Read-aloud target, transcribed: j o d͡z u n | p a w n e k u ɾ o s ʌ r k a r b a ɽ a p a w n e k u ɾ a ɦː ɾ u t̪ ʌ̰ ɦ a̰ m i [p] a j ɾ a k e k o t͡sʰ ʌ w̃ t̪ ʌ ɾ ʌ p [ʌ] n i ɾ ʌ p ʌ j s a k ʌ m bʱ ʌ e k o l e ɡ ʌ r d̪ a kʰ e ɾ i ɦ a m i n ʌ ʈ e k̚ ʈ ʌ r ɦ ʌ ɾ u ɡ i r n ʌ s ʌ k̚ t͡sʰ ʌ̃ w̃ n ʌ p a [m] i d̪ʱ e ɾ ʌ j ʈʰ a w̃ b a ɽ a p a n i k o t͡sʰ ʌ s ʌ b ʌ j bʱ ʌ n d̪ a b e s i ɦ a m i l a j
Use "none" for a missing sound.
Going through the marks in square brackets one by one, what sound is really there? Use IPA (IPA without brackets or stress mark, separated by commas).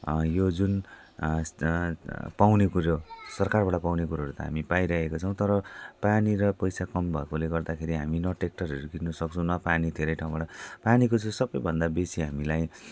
p, a, n